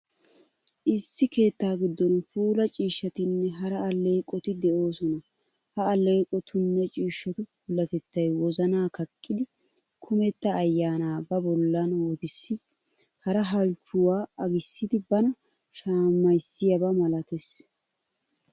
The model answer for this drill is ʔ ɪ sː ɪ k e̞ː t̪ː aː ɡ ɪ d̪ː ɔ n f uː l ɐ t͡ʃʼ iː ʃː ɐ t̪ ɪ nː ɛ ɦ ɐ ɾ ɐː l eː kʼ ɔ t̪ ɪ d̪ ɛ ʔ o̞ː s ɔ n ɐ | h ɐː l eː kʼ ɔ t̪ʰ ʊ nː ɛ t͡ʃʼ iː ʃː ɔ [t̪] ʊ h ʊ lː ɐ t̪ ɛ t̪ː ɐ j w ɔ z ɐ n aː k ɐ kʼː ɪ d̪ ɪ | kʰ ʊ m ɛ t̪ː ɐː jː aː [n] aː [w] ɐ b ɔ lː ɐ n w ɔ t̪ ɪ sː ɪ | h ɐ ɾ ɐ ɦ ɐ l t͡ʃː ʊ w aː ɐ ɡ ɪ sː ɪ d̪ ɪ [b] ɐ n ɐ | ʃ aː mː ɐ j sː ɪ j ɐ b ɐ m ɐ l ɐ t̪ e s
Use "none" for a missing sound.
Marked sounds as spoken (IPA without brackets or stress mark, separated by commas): t̪, n, b, b